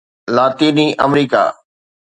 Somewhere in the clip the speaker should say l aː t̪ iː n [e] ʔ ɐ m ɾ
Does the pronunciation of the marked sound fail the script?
yes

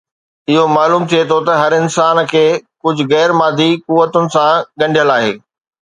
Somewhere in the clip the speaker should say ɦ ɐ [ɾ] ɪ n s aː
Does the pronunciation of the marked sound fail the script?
no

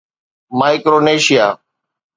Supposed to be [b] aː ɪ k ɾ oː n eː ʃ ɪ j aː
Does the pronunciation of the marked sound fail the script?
yes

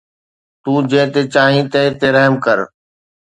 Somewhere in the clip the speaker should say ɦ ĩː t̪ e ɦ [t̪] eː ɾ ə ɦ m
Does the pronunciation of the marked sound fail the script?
no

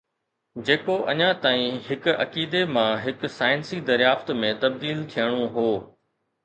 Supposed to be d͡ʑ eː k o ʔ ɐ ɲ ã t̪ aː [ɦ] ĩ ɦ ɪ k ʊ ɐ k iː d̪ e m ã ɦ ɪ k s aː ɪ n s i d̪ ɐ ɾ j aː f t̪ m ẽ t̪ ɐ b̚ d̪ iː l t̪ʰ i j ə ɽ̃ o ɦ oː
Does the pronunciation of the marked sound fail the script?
yes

